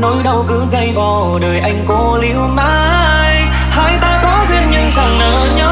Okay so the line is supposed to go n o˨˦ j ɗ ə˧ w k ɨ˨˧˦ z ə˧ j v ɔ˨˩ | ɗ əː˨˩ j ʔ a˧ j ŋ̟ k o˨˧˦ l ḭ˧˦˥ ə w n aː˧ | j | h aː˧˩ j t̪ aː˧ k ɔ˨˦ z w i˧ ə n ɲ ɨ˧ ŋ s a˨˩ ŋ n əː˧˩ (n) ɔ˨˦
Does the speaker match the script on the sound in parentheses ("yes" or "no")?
no